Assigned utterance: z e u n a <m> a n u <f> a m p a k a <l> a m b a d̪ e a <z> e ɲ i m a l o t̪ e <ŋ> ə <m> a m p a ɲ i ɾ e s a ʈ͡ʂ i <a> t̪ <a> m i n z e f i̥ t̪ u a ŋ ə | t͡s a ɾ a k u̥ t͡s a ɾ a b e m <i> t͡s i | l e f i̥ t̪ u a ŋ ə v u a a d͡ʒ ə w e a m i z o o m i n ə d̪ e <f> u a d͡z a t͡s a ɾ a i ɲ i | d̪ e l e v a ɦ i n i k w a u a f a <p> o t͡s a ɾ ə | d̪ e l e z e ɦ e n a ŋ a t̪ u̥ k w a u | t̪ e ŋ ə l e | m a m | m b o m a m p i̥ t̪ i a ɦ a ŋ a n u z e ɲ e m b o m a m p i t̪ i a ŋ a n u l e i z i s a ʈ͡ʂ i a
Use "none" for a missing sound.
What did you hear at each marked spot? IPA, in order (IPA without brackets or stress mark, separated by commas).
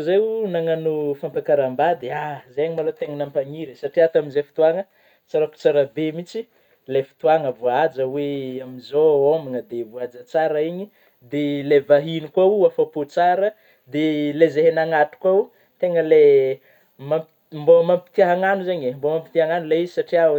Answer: ŋ, f, ɾ, z, ŋ, n, a, a, i, v, p